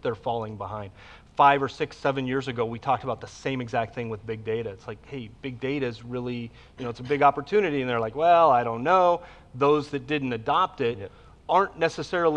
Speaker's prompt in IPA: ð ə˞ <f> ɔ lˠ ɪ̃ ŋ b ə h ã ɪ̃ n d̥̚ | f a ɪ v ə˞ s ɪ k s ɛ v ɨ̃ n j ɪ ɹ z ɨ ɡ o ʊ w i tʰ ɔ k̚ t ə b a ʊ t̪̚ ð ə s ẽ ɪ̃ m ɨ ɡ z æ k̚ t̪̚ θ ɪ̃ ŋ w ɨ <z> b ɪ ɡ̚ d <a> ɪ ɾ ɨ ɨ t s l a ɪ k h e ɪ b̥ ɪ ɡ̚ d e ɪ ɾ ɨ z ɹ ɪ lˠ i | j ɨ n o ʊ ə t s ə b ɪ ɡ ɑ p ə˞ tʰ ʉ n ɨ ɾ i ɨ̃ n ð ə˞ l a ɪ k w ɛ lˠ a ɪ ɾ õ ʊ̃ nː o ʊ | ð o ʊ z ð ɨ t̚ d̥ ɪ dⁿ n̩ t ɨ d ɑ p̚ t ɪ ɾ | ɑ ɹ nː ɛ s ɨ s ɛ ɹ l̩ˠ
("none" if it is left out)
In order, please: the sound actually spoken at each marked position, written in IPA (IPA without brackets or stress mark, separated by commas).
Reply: f, ð, e